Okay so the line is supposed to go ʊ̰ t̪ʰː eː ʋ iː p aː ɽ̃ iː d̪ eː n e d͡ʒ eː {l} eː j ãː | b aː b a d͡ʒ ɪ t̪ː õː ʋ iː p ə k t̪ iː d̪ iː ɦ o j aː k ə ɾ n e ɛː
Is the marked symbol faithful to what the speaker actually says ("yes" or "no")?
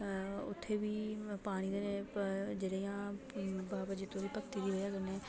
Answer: no